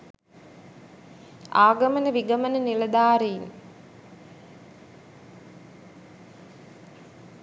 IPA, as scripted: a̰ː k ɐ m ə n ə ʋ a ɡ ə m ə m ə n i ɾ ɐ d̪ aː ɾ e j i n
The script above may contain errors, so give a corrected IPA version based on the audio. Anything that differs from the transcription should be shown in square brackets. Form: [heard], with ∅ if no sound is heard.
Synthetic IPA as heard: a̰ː [ɡ] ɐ m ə n ə ʋ [i] ɡ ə m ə [n] ə n i [l] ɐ d̪ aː ɾ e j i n